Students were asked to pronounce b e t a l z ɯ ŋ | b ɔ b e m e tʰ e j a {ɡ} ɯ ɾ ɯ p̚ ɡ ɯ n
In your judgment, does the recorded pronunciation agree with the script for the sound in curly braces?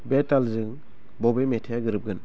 yes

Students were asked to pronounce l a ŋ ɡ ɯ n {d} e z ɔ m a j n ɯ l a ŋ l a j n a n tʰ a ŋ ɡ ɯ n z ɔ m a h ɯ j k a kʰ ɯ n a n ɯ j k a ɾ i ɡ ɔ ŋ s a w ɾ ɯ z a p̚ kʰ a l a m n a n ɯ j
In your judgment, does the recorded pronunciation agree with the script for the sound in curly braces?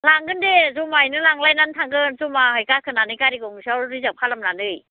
yes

